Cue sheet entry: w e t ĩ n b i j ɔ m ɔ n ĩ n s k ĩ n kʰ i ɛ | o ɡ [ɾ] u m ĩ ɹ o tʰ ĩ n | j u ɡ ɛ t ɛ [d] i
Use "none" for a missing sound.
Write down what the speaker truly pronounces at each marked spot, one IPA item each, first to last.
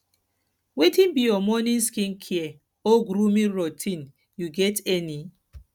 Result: ɾ, n

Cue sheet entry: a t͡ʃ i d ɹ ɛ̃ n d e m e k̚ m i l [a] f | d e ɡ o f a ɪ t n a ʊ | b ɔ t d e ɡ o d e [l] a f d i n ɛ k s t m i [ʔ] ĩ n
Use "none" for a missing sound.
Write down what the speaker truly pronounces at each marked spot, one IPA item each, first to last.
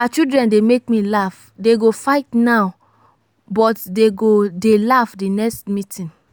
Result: a, l, t

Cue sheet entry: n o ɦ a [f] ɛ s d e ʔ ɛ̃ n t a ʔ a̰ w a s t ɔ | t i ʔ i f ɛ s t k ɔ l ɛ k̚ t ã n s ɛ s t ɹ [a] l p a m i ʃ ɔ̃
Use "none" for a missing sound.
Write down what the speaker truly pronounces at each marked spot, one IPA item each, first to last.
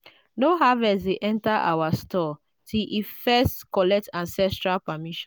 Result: v, a

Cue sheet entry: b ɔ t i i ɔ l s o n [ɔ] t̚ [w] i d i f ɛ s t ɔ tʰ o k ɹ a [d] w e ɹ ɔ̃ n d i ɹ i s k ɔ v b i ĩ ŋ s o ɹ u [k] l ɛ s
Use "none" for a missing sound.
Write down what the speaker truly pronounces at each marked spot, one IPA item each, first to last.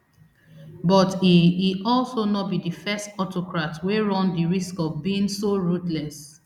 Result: ɔ, b, t, t

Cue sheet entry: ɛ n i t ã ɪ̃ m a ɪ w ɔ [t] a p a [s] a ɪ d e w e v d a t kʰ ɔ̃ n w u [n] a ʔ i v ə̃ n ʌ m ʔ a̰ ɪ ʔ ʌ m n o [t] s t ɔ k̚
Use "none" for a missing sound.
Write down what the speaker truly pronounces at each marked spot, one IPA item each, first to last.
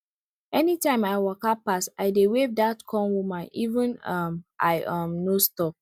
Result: k, s, m, none

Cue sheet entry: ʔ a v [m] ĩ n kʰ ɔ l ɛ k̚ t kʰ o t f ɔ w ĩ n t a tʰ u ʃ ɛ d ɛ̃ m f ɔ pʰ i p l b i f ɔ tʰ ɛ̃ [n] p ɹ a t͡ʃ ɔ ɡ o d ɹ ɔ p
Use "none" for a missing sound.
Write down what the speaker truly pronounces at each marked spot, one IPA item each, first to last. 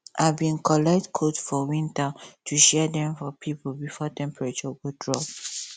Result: b, m

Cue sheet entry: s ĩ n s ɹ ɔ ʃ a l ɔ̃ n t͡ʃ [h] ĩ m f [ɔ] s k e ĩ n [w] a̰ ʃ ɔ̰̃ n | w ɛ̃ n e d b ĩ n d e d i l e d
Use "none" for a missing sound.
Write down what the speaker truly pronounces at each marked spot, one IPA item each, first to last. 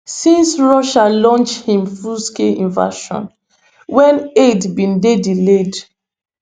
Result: h, u, v

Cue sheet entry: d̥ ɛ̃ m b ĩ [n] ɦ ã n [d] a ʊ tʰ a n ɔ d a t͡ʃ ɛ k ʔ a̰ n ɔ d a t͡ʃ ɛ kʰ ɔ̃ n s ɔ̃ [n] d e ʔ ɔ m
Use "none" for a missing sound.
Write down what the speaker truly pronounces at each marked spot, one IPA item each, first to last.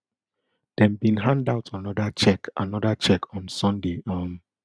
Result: n, d, n

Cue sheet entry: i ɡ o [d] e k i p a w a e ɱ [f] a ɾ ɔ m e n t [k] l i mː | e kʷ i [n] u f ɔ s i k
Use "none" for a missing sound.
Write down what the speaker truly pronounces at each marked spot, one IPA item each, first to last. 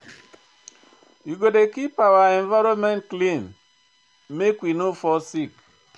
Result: d, v, k, n

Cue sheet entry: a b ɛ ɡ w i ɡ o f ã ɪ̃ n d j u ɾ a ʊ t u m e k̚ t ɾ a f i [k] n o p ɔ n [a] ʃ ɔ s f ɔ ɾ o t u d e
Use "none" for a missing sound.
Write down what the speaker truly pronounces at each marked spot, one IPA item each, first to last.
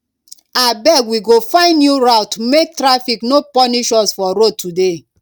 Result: k, i

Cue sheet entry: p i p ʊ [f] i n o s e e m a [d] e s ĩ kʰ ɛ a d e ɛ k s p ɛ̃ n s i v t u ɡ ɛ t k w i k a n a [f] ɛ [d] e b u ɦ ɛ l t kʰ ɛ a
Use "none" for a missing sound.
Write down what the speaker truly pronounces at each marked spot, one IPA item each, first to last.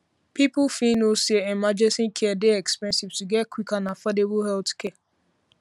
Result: f, d͡ʒ, f, d

